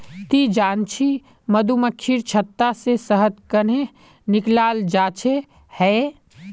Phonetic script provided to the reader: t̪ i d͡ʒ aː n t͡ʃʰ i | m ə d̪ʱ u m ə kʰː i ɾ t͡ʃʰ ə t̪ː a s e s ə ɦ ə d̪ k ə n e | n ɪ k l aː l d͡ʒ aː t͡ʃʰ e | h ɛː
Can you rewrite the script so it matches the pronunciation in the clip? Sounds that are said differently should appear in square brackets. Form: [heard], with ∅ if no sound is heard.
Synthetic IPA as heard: t̪ i d͡ʒ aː n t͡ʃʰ i | m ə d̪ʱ u m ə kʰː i ɾ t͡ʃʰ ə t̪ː a s e s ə ɦ ə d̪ k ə n e | n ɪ k l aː l d͡ʒ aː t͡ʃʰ e | h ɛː